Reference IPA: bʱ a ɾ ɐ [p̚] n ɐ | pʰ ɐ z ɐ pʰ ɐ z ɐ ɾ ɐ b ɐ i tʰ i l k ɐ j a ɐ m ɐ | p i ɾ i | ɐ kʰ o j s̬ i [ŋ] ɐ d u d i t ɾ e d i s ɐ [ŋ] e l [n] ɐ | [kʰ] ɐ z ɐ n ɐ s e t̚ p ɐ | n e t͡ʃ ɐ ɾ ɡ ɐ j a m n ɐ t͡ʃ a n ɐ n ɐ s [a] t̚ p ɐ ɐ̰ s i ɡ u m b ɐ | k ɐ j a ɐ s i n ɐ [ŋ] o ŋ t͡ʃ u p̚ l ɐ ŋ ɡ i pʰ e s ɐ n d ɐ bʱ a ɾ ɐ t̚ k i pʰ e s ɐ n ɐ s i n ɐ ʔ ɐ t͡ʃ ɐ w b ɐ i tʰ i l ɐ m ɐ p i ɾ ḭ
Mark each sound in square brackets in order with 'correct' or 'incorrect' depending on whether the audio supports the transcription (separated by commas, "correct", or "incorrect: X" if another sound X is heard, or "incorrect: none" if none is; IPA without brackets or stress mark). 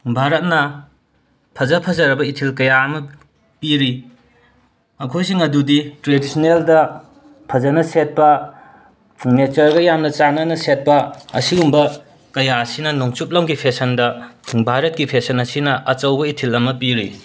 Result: incorrect: t̚, correct, incorrect: n, incorrect: d, incorrect: pʰ, incorrect: e, incorrect: n